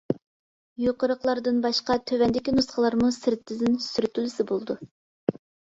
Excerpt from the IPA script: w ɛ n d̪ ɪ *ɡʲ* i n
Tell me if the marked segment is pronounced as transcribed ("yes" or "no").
no